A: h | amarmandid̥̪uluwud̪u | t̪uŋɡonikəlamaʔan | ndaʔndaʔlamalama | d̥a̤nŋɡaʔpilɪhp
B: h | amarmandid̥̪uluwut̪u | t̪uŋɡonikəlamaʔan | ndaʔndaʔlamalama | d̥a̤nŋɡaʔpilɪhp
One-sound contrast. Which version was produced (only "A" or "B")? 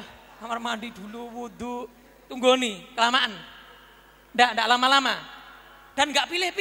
A